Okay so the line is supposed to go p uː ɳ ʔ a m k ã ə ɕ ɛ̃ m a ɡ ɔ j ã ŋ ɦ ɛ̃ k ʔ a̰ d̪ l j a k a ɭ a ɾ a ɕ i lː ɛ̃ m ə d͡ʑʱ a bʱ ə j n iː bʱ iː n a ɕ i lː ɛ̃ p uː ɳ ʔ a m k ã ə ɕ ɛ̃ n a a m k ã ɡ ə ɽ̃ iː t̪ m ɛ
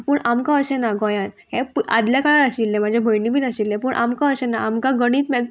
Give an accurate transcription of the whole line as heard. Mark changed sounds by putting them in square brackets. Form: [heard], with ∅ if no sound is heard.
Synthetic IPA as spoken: p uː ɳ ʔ a m k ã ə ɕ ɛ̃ [n] a ɡ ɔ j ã [n] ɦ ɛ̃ [p] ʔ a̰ d̪ l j a k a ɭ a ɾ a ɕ i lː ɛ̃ m [a] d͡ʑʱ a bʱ ə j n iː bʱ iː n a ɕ i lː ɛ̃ p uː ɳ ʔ a m k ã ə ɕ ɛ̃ n a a m k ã ɡ ə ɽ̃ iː t̪ m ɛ